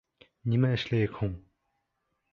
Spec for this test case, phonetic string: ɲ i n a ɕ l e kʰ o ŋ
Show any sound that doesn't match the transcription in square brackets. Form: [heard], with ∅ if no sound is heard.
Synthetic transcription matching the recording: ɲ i [m] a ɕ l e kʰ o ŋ